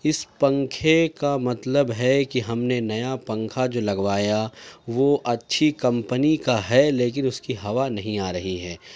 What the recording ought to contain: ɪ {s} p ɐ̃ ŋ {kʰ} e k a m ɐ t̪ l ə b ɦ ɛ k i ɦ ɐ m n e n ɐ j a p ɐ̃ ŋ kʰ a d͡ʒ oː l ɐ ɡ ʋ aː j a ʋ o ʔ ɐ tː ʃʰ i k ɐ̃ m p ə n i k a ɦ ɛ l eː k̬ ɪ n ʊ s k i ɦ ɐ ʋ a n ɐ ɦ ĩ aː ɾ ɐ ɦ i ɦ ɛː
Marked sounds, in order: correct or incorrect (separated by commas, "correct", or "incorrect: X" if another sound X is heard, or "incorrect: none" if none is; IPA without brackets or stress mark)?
correct, correct